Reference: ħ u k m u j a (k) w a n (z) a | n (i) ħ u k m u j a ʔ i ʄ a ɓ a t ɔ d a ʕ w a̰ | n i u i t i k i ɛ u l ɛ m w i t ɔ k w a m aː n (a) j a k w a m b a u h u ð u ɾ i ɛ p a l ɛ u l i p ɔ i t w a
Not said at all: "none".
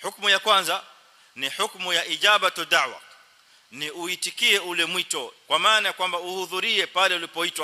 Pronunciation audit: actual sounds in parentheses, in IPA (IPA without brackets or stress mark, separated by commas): k, z, i, a